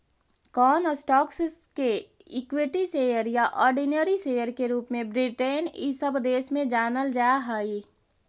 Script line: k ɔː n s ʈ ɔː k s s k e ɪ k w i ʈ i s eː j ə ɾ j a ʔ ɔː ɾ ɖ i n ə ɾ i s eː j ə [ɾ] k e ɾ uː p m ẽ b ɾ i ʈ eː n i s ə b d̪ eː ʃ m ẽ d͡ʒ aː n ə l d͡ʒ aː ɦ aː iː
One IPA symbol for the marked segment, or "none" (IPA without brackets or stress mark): ɾ